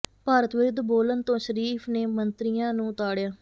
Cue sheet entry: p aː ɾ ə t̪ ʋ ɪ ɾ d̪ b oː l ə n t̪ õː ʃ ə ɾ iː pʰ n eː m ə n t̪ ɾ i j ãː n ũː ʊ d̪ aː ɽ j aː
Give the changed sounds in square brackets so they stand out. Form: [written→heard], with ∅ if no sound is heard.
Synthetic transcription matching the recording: p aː ɾ ə t̪ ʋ ɪ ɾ d̪ b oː l ə n t̪ õː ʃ ə ɾ iː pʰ n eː m ə n t̪ ɾ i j ãː n ũː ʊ [d̪→t̪] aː ɽ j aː

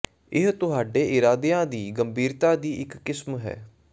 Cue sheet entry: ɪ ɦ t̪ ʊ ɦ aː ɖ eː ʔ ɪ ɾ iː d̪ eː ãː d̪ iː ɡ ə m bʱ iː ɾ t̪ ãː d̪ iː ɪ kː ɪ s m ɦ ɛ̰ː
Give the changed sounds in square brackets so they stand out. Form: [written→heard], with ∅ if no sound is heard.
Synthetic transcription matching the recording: ɪ ɦ t̪ ʊ ɦ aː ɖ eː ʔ ɪ ɾ [iː→aː] d̪ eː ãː d̪ iː ɡ ə m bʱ iː ɾ t̪ [ãː→aː] d̪ iː ɪ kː ɪ s m ɦ ɛ̰ː

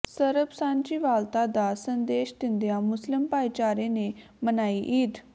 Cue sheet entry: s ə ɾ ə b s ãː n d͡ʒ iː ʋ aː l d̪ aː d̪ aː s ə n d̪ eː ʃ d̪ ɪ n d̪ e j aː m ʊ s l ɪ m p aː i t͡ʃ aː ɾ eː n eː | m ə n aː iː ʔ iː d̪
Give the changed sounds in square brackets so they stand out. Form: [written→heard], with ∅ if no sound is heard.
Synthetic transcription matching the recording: s ə ɾ ə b s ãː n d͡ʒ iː ʋ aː l [d̪→t̪] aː d̪ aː s ə n d̪ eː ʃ d̪ ɪ n d̪ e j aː m ʊ s l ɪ m p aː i t͡ʃ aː ɾ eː n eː | m ə n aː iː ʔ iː d̪

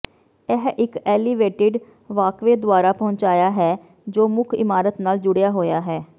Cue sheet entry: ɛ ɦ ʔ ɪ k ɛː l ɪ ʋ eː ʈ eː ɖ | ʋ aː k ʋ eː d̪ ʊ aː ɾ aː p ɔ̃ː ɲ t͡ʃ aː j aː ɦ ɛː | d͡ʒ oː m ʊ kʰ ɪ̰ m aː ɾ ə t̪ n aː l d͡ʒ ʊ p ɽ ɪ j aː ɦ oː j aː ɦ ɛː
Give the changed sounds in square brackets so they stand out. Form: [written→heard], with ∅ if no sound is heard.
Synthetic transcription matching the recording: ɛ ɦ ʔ ɪ k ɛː l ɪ ʋ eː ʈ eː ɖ | ʋ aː k ʋ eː d̪ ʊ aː ɾ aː p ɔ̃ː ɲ t͡ʃ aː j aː ɦ ɛː | d͡ʒ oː m ʊ kʰ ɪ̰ m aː ɾ ə t̪ n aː l d͡ʒ ʊ [p→∅] ɽ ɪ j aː ɦ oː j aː ɦ ɛː

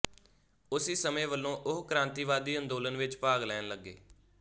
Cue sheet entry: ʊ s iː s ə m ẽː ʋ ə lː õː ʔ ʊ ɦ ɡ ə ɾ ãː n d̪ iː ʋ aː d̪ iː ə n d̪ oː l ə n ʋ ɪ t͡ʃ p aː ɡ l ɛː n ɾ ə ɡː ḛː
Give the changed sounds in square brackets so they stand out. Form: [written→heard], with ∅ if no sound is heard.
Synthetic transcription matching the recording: ʊ s iː s ə m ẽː ʋ ə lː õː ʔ ʊ ɦ [ɡ→k] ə ɾ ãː n [d̪→t̪] iː ʋ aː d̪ iː ə n d̪ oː l ə n ʋ ɪ t͡ʃ p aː ɡ l ɛː n [ɾ→l] ə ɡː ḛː

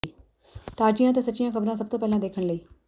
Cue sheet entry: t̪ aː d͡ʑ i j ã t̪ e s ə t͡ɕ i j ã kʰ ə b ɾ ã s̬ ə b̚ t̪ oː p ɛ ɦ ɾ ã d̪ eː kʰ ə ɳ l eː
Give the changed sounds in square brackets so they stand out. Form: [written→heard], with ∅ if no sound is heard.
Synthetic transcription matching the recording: t̪ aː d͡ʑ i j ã t̪ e s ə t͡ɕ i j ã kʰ ə b ɾ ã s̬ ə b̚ t̪ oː p ɛ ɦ [ɾ→l] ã d̪ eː kʰ ə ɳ l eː

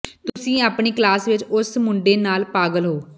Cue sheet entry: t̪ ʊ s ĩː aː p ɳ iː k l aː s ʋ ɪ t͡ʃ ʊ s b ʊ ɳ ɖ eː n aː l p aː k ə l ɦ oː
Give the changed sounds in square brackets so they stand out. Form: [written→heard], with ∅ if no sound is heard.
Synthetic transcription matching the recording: t̪ ʊ s ĩː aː p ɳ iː k l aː s ʋ ɪ t͡ʃ ʊ s [b→m] ʊ ɳ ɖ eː n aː l p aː [k→ɡ] ə l ɦ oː

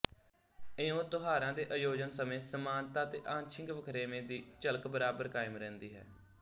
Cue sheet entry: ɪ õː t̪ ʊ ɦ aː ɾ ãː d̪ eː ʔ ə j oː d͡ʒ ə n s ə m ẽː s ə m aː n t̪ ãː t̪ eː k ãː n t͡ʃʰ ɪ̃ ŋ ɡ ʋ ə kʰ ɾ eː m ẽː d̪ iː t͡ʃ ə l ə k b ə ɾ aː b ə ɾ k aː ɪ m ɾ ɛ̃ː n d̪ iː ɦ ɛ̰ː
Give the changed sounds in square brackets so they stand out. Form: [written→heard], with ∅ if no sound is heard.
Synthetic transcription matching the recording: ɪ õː t̪ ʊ ɦ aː ɾ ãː d̪ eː ʔ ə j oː d͡ʒ ə n s ə m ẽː s ə m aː n t̪ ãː t̪ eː [k→ʔ] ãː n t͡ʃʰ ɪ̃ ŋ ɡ ʋ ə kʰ ɾ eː m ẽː d̪ iː t͡ʃ ə l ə k b ə ɾ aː b ə ɾ k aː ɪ m ɾ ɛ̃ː n d̪ iː ɦ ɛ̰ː

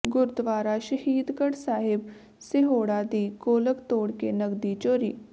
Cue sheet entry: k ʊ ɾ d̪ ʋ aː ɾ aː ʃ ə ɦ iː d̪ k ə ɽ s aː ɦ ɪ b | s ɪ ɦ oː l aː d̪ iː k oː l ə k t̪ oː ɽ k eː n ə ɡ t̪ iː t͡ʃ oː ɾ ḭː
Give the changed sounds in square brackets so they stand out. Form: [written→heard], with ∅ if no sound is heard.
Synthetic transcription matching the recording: [k→ɡ] ʊ ɾ d̪ ʋ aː ɾ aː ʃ ə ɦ iː d̪ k ə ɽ s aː ɦ ɪ b | s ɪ ɦ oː [l→ɽ] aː d̪ iː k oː l ə k t̪ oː ɽ k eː n ə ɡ [t̪→d̪] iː t͡ʃ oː ɾ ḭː

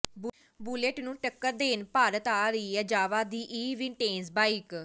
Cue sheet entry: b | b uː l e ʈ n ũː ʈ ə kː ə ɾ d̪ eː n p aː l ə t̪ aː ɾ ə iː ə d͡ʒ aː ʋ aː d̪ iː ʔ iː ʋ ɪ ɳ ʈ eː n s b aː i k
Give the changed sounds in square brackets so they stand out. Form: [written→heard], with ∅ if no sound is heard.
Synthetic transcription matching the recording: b | b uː l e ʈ n ũː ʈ ə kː ə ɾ d̪ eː n p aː [l→ɾ] ə t̪ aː ɾ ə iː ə d͡ʒ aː ʋ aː d̪ iː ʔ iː ʋ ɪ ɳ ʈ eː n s b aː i k

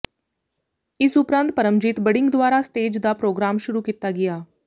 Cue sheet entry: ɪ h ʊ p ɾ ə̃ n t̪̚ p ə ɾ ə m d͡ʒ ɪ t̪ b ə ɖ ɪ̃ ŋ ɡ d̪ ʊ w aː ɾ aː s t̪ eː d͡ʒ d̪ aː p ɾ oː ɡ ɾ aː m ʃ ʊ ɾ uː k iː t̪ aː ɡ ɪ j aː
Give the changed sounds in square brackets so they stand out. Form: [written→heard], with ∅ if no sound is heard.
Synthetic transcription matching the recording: ɪ [h→s] ʊ p ɾ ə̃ n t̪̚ p ə ɾ ə m d͡ʒ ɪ t̪ b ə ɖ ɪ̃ ŋ ɡ d̪ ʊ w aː ɾ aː s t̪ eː d͡ʒ d̪ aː p ɾ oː ɡ ɾ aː m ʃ ʊ ɾ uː k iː t̪ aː ɡ ɪ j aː

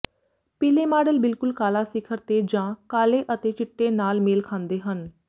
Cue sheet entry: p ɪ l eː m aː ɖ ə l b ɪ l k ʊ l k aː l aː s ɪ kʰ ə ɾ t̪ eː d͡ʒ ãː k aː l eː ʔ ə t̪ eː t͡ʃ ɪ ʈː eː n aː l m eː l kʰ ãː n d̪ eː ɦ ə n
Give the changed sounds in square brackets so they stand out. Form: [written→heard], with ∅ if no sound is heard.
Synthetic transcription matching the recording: p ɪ l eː m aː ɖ ə l b ɪ l k ʊ l k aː l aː s ɪ kʰ ə ɾ t̪ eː d͡ʒ ãː k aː l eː ʔ ə t̪ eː t͡ʃ ɪ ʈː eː n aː l m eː l kʰ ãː n d̪ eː ɦ ə n

